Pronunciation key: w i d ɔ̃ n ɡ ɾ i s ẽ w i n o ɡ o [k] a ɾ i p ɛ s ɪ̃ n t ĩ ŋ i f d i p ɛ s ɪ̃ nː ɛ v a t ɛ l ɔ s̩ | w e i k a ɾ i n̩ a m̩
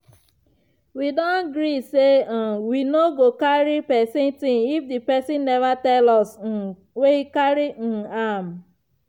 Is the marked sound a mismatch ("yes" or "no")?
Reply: no